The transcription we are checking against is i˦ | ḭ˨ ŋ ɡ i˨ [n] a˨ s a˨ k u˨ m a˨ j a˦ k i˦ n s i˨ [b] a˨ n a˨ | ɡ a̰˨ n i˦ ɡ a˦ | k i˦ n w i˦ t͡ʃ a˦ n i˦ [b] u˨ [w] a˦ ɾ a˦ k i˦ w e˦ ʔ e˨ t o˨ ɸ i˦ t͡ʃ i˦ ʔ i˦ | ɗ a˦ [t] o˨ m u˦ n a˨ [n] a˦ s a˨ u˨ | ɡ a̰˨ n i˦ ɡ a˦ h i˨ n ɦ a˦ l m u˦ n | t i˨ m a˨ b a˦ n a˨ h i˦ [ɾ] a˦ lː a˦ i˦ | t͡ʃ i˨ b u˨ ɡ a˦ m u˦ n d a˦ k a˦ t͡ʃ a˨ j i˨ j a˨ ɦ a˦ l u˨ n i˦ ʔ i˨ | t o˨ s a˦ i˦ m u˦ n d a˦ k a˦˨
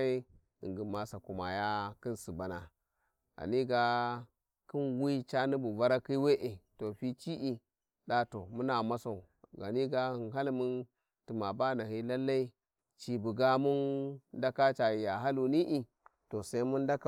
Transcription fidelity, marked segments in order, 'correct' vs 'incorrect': incorrect, correct, correct, incorrect, correct, incorrect, incorrect

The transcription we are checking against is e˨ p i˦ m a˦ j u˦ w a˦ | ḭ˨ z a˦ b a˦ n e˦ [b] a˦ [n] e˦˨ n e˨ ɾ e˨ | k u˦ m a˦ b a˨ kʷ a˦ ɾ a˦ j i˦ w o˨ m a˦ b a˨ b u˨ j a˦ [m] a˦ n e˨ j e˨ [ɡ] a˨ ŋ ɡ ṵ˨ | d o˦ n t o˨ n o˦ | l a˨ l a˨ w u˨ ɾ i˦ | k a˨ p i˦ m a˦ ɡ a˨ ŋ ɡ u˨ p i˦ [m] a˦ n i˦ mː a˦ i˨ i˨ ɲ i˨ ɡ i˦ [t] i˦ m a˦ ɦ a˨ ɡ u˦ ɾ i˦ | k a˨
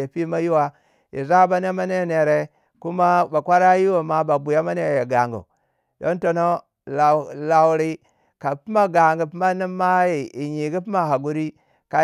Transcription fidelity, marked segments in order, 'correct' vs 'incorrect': incorrect, correct, correct, correct, correct, incorrect

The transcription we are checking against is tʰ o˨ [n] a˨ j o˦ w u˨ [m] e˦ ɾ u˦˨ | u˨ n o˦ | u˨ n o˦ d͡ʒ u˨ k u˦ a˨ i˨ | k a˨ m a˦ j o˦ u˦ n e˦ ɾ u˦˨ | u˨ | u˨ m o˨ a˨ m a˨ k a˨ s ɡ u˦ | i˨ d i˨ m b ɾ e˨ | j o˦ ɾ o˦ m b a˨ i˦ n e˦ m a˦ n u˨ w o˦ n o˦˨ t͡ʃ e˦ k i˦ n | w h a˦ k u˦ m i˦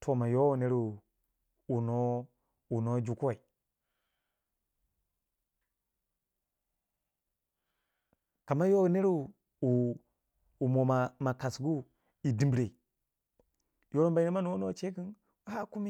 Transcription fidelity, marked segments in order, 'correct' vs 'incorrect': incorrect, incorrect

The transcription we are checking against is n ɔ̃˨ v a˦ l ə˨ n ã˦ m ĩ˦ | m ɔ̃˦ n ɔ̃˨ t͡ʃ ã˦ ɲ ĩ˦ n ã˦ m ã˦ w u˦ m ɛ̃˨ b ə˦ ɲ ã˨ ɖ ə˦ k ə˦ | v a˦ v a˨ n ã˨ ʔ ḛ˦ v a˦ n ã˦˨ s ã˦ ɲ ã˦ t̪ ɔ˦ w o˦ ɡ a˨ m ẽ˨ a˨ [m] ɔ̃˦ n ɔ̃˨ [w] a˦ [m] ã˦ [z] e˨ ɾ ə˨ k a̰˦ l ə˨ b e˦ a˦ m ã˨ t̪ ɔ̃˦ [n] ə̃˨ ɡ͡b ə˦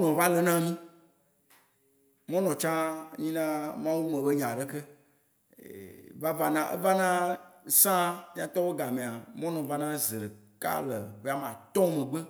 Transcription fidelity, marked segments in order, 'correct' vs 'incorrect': correct, incorrect, incorrect, correct, incorrect

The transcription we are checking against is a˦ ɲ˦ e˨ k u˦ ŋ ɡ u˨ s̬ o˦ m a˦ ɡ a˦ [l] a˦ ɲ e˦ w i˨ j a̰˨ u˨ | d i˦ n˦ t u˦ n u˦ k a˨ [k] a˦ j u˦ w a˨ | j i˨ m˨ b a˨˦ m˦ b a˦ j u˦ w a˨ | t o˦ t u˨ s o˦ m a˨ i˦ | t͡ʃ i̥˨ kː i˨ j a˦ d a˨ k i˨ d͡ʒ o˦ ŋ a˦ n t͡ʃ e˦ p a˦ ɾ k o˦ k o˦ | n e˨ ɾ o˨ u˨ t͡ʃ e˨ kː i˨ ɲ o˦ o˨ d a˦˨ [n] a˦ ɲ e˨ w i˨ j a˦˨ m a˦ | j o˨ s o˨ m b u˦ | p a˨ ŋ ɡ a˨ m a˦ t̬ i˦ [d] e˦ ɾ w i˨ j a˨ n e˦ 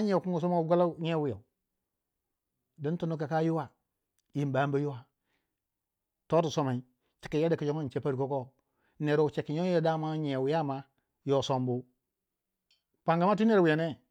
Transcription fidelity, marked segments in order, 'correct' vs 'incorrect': correct, correct, incorrect, incorrect

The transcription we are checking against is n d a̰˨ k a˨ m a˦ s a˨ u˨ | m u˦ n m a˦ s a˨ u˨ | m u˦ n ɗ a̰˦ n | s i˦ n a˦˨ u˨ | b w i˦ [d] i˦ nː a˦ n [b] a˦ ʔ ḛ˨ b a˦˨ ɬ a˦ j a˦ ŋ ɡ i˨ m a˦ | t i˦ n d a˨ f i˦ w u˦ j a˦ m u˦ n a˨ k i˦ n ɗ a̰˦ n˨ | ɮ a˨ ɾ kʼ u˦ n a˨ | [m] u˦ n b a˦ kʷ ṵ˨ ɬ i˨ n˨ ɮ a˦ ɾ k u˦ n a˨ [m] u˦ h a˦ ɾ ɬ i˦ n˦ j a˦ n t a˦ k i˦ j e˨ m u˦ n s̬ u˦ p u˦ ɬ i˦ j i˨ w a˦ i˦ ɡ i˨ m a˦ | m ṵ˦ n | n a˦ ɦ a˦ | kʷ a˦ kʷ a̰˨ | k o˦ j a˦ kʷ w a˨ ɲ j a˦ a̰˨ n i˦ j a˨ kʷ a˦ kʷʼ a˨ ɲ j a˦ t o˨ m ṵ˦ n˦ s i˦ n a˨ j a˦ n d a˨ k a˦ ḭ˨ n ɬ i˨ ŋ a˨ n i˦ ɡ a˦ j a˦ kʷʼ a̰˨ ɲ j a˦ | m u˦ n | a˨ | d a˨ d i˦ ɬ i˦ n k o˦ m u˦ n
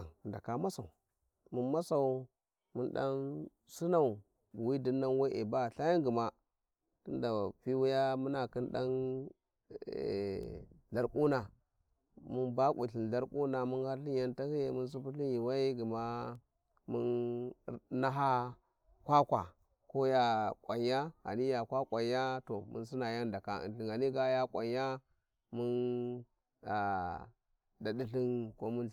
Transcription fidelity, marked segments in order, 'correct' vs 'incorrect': correct, incorrect, correct, correct

